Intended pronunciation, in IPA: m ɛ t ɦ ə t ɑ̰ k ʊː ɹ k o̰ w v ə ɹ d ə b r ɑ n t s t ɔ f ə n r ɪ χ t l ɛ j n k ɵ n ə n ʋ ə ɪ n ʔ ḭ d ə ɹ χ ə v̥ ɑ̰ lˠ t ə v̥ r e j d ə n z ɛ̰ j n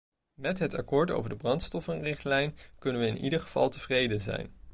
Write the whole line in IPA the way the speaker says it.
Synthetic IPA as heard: m ɛ t ɦ ə t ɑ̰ k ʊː ɹ t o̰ w v ə ɹ d ə b r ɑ n t s t ɔ f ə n r ɪ χ t l ɛ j n k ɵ n ə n ʋ ə ɪ n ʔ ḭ d ə ɹ χ ə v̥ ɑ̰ lˠ t ə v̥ r e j d ə n z ɛ̰ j n